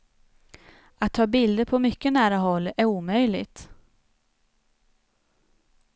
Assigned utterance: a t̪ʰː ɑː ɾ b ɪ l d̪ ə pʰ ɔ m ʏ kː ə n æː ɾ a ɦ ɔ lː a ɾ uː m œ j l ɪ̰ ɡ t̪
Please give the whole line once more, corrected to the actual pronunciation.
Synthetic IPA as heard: a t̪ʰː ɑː b ɪ l d̪ ə pʰ ɔ m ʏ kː ə n æː ɾ a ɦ ɔ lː æ ɾ uː m œ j l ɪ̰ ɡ t̪